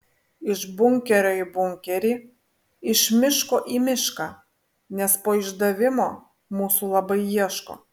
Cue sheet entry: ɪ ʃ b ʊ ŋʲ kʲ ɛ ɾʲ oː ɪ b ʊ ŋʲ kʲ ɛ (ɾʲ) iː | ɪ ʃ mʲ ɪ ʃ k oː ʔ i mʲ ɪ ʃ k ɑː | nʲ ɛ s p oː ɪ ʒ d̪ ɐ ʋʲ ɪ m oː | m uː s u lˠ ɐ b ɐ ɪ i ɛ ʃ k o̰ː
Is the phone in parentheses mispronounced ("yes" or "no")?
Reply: no